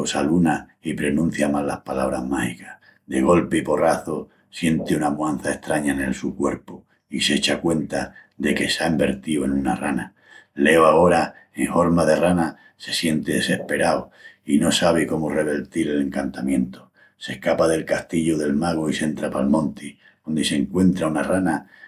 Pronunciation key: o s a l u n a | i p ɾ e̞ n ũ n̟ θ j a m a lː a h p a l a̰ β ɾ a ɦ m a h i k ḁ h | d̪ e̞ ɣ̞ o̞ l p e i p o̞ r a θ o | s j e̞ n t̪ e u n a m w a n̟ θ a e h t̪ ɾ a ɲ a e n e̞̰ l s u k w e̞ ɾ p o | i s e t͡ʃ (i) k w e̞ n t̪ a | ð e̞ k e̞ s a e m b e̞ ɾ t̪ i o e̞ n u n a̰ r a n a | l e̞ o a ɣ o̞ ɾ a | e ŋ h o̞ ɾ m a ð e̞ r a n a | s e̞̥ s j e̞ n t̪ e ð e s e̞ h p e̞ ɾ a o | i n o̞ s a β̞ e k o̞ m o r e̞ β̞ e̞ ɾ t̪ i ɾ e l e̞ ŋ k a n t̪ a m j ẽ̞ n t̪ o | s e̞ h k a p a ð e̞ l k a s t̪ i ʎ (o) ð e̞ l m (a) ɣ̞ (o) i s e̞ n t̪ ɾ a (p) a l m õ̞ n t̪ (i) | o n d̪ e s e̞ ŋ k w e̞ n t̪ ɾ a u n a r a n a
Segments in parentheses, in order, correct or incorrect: incorrect, correct, correct, correct, correct, correct

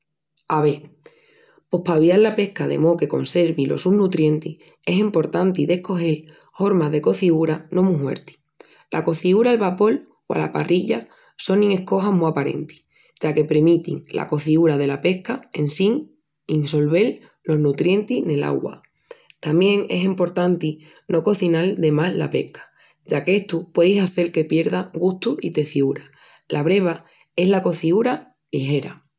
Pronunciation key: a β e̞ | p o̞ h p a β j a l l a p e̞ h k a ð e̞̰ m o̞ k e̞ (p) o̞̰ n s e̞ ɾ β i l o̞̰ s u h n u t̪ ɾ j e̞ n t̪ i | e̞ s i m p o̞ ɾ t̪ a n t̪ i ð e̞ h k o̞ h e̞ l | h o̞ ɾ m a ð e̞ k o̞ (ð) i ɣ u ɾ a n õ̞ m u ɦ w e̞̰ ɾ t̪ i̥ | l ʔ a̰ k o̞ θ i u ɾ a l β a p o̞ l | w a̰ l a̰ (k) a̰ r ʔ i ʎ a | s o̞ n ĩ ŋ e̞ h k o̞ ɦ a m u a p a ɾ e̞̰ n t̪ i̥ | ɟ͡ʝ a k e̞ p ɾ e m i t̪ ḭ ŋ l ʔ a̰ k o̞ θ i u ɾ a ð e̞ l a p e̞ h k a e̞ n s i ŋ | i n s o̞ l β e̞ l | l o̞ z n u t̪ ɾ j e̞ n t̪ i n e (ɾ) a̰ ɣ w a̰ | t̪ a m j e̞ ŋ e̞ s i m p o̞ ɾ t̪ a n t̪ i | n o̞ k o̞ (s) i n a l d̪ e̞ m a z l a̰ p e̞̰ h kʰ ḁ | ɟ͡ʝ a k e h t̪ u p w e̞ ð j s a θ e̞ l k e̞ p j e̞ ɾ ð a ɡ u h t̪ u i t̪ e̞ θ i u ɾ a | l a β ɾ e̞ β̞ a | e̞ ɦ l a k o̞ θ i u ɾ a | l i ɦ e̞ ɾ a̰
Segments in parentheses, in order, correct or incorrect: incorrect, incorrect, incorrect, incorrect, incorrect

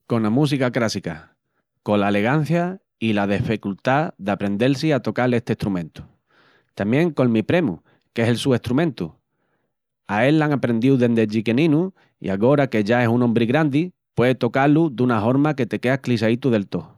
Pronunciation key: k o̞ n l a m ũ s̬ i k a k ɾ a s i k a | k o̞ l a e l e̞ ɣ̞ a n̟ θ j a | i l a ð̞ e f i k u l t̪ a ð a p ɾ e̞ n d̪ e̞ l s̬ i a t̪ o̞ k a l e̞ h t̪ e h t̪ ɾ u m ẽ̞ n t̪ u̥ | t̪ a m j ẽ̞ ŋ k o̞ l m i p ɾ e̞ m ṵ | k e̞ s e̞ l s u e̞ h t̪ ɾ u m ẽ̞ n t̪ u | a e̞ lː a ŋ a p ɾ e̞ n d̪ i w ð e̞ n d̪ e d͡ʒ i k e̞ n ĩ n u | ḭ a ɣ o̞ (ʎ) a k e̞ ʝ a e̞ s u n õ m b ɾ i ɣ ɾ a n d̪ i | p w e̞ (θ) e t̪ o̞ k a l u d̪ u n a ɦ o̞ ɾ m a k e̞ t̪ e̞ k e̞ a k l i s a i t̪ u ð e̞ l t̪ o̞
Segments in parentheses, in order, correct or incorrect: incorrect, incorrect

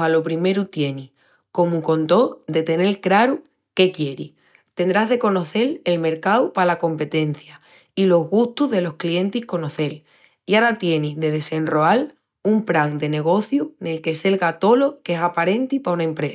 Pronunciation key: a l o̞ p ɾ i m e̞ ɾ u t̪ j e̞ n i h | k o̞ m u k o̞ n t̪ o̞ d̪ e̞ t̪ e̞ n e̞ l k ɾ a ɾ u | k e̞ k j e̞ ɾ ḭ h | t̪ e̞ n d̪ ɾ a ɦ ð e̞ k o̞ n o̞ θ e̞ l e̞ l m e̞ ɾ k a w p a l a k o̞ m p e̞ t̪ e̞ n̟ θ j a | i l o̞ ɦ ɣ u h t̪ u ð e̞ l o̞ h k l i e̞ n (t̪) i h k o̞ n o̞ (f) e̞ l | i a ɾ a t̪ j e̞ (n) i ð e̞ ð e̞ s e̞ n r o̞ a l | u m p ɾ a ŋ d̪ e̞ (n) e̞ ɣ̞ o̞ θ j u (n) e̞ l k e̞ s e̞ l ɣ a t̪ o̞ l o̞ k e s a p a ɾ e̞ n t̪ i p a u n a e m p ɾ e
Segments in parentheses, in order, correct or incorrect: correct, incorrect, correct, correct, correct

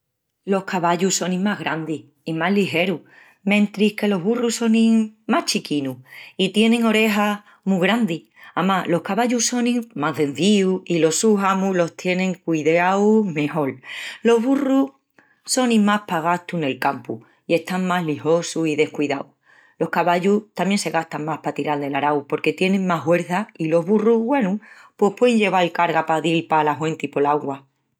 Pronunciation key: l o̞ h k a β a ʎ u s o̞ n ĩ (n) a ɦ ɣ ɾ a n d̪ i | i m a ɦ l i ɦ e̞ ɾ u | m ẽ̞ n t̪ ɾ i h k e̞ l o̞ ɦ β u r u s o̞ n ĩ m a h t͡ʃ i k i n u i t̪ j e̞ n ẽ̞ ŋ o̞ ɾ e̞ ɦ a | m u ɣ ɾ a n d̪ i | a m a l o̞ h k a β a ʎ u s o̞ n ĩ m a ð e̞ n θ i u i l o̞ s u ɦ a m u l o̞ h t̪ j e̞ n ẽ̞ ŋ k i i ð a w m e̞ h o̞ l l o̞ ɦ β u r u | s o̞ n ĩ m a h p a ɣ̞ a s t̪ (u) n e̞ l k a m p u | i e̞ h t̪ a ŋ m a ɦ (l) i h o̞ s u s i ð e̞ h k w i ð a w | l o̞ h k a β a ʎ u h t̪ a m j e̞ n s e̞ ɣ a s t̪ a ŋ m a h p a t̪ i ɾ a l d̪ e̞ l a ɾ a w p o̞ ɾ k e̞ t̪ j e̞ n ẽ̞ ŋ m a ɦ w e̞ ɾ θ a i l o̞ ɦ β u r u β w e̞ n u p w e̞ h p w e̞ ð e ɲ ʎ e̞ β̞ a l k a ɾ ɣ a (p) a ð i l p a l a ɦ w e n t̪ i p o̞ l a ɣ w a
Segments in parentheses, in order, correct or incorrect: incorrect, correct, correct, correct

